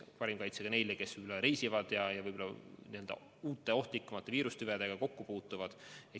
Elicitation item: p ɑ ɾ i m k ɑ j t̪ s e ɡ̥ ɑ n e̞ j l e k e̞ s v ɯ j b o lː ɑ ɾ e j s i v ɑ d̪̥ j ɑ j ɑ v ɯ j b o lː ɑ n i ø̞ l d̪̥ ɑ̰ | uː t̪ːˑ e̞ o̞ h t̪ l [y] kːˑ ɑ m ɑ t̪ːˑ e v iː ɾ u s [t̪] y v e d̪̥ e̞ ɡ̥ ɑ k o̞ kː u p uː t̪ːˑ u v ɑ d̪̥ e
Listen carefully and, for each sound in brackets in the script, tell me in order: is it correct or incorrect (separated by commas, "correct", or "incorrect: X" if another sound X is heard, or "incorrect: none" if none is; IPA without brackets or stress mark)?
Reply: incorrect: i, correct